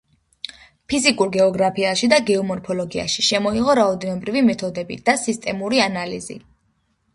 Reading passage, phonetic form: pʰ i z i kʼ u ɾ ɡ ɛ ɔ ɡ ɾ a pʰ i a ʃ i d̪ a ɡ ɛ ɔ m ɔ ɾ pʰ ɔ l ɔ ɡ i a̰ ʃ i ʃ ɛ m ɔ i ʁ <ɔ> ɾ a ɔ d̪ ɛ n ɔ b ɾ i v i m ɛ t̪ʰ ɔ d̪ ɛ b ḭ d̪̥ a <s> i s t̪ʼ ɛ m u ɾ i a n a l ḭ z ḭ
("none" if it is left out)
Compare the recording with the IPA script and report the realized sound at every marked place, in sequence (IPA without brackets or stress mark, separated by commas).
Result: ɔ, s